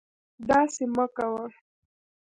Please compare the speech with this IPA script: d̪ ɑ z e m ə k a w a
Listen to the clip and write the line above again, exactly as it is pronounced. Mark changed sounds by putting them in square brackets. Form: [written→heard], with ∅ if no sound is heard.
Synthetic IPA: d̪ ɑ [z→s] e m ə k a w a